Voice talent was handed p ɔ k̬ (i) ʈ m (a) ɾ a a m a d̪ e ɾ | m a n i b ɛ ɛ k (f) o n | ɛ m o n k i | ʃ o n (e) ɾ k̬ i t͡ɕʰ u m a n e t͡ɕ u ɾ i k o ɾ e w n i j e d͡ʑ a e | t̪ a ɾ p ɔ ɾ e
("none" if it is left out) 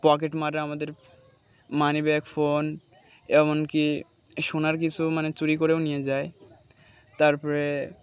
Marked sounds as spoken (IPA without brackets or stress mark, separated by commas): e, a, f, a